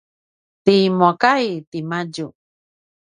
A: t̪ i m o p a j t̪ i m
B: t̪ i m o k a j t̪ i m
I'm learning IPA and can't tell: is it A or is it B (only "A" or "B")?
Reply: B